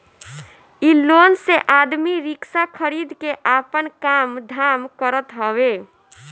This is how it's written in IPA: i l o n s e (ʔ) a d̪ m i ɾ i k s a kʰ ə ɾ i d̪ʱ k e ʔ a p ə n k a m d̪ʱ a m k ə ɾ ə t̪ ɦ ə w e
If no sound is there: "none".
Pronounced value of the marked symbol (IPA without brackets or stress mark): ʔ